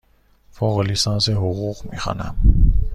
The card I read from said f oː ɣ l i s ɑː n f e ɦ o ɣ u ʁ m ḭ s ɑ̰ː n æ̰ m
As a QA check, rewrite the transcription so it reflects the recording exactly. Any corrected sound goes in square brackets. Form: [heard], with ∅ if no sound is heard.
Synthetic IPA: f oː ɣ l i s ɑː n [s] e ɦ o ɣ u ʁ m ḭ [x] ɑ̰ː n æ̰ m